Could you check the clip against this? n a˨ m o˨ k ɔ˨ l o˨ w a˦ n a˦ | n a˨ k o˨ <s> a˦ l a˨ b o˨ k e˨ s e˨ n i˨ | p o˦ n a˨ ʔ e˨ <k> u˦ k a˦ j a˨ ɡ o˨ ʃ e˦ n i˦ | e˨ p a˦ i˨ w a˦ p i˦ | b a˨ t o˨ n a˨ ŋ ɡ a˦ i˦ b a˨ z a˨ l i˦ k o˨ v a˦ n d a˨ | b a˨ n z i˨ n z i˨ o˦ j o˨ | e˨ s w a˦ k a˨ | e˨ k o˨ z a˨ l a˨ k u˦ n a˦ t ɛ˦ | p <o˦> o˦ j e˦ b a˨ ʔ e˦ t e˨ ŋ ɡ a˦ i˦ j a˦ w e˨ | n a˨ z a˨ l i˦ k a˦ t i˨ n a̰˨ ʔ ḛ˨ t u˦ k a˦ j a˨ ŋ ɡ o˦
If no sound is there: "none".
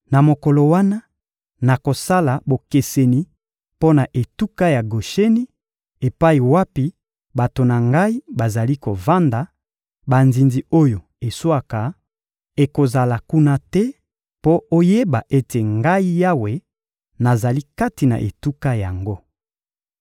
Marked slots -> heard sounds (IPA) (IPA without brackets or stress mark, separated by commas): s, t, o˦